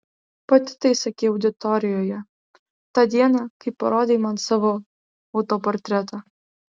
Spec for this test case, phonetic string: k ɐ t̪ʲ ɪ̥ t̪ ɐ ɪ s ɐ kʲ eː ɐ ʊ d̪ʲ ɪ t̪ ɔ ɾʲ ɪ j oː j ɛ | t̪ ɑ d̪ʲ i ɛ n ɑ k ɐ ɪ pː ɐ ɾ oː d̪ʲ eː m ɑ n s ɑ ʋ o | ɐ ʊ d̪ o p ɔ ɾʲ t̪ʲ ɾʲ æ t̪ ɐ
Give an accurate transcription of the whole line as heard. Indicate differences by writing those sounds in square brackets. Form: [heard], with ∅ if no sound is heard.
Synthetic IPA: [p] ɐ t̪ʲ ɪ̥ t̪ ɐ ɪ s ɐ kʲ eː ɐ ʊ d̪ʲ ɪ t̪ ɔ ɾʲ ɪ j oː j ɛ | t̪ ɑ d̪ʲ i ɛ n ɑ k ɐ ɪ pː ɐ ɾ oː d̪ʲ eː m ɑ n s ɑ ʋ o | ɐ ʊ [t̪] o p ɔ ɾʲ t̪ʲ ɾʲ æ t̪ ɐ